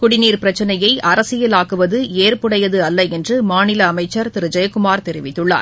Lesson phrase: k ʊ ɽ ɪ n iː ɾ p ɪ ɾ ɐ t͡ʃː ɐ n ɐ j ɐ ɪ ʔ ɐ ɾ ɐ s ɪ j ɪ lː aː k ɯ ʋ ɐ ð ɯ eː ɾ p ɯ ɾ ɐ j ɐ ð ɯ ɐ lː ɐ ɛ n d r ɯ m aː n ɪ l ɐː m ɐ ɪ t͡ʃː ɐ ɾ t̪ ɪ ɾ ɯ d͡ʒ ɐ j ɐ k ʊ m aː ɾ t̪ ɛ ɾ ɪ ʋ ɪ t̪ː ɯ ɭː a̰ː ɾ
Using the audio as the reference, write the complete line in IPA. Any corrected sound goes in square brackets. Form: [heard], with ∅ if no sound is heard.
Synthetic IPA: k ʊ ɽ ɪ n iː ɾ p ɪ ɾ ɐ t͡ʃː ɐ n ɐ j ɐ ɪ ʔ ɐ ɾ ɐ s ɪ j ɪ [l] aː k ɯ ʋ ɐ ð ɯ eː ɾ p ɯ [ɽ] ɐ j ɐ ð ɯ ɐ lː ɐ ɛ n d r ɯ m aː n ɪ l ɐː m ɐ ɪ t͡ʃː ɐ ɾ t̪ ɪ ɾ ɯ d͡ʒ ɐ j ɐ k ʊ m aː ɾ t̪ ɛ ɾ ɪ ʋ ɪ t̪ː ɯ ɭː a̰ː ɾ

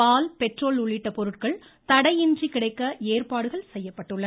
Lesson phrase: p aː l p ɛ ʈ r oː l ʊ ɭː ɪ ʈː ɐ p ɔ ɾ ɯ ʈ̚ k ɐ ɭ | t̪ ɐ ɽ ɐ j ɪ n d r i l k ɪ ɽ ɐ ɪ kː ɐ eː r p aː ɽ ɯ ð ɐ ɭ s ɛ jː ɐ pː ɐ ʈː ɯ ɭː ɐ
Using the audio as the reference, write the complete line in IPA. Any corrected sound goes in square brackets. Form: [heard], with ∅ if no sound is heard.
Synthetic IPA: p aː l p ɛ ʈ r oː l ʊ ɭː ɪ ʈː ɐ p ɔ ɾ ɯ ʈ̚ k ɐ ɭ | t̪ ɐ ɽ ɐ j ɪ n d r i [∅] k ɪ ɽ ɐ ɪ kː ɐ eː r p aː ɽ ɯ [ɣ] ɐ ɭ s ɛ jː ɐ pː ɐ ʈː ɯ ɭː ɐ

